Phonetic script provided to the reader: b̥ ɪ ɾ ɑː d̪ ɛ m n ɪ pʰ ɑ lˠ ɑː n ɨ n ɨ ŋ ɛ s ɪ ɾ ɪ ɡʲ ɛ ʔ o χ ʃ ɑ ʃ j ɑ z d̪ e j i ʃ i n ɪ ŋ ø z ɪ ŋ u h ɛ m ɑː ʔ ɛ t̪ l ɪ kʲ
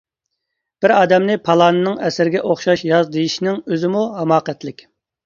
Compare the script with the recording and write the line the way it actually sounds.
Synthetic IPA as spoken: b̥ ɪ ɾ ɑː d̪ ɛ m n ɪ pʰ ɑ lˠ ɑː n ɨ n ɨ ŋ ɛ s ɪ ɾ ɪ ɡʲ ɛ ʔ o χ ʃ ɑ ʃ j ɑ z d̪ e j i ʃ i n ɪ ŋ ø z ɪ m u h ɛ m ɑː q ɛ t̪ l ɪ kʲ